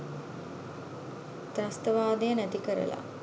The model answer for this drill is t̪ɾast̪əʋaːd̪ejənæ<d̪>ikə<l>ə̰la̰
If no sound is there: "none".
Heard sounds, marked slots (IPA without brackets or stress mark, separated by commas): t̪, ɾ